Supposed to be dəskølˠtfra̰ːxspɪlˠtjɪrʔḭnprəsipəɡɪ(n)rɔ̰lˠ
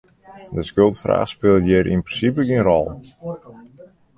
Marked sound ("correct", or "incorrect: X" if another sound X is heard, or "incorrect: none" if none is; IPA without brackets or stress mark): correct